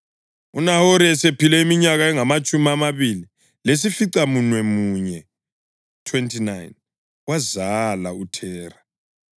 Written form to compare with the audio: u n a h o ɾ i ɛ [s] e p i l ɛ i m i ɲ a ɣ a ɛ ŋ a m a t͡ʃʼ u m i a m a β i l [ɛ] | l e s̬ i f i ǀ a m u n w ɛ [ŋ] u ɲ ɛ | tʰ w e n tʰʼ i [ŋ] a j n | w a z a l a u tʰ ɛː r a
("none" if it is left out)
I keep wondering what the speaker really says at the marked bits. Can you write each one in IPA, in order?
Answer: s, i, m, n

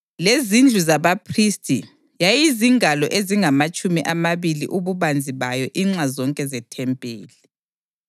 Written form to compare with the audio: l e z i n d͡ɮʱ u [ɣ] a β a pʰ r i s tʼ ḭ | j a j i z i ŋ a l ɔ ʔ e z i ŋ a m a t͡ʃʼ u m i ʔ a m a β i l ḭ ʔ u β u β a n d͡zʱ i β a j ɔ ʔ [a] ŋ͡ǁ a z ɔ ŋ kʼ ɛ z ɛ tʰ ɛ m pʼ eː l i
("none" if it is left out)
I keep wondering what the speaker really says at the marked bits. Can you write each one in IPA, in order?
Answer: z, i

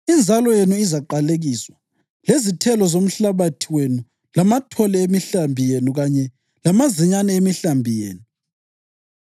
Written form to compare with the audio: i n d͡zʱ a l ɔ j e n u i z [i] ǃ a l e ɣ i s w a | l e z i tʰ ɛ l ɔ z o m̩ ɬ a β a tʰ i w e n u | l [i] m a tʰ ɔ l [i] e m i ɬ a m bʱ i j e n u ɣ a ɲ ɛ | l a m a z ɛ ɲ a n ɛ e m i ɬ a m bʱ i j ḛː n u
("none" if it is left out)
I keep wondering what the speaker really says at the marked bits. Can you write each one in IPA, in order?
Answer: a, a, ɛ

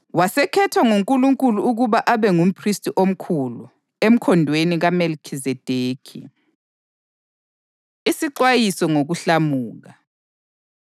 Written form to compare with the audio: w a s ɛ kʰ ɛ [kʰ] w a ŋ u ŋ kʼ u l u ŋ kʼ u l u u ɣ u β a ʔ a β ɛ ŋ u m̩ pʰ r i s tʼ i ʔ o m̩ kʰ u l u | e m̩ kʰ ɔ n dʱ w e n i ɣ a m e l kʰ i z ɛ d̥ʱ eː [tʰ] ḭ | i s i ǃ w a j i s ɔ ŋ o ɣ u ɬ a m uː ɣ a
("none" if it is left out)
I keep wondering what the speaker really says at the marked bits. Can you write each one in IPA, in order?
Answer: tʰ, kʰ

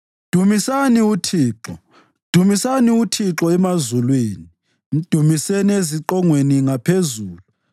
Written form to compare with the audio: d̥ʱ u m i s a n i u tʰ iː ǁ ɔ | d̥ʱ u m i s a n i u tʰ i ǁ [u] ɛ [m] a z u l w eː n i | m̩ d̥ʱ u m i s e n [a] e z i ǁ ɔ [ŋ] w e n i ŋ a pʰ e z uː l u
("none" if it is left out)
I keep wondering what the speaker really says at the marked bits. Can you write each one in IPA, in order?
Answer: ɔ, m, i, ŋ

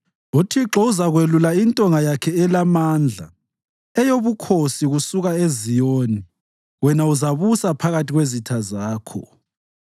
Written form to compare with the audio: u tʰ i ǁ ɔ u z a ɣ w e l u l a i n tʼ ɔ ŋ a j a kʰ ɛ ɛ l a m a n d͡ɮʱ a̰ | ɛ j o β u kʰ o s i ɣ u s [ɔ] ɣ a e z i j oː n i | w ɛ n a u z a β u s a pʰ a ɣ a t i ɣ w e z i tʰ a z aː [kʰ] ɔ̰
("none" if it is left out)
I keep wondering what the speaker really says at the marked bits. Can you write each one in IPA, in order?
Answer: u, kʰ

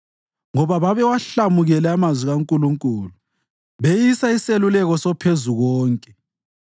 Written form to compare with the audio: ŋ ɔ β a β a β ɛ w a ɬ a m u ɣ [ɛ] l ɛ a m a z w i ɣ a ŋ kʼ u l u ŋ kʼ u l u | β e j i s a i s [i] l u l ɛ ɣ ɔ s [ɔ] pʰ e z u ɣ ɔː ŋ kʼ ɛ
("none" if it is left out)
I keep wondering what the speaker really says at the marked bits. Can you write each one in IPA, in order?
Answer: ɛ, e, ɔ

